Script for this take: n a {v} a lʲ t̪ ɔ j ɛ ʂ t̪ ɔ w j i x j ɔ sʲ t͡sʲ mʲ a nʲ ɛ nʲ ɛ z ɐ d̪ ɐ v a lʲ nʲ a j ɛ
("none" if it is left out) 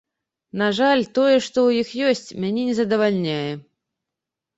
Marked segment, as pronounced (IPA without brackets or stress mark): ʐ